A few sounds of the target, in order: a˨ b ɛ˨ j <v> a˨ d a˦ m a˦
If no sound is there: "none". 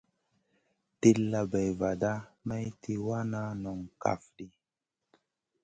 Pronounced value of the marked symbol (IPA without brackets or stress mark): v